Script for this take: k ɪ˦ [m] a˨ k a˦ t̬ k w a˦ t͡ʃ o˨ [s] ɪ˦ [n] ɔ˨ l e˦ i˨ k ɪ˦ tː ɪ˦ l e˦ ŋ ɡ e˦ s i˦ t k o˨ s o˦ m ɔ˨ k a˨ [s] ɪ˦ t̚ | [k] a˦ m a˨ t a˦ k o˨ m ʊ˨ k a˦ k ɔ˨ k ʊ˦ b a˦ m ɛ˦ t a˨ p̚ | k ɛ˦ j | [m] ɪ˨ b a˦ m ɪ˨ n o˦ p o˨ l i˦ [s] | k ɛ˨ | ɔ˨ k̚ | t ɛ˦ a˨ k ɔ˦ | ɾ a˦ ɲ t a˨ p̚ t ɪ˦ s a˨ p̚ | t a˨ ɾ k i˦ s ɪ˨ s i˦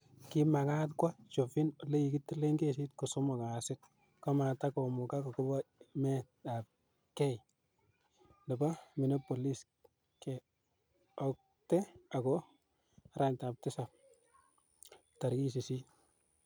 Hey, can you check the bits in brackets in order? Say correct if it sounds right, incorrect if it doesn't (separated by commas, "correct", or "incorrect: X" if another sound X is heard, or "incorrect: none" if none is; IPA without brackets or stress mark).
correct, incorrect: f, correct, correct, correct, incorrect: n, correct